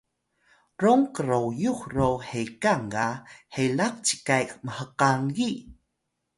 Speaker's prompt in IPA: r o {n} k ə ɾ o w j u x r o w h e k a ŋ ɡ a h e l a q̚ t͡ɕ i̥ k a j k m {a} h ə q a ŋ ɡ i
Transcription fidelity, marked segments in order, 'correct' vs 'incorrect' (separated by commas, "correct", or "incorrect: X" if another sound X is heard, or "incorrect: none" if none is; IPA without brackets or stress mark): incorrect: ŋ, incorrect: ə